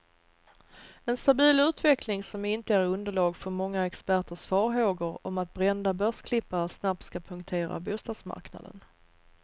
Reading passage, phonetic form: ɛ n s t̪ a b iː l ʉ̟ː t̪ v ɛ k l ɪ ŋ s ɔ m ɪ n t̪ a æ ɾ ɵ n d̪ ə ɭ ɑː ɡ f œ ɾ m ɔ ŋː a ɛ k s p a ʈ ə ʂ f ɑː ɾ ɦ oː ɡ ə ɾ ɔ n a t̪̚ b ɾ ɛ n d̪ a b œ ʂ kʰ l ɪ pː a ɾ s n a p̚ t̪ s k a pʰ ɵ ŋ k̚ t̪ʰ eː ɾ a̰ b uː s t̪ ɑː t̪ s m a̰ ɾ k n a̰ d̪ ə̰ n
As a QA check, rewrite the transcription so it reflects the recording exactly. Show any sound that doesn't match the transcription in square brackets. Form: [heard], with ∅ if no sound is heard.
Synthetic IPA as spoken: ɛ n s t̪ a b iː l ʉ̟ː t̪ v ɛ k l ɪ ŋ s ɔ m ɪ n t̪ [ə] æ ɾ ɵ n d̪ ə ɭ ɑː ɡ f œ ɾ m ɔ ŋː a ɛ k s p [æ] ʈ ə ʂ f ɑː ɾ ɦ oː ɡ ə ɾ ɔ [m] a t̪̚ b ɾ ɛ n d̪ a b œ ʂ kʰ l ɪ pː a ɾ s n a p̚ t̪ s k a pʰ ɵ ŋ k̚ t̪ʰ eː ɾ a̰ b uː s t̪ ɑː [d̪] s m a̰ ɾ k n a̰ d̪ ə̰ n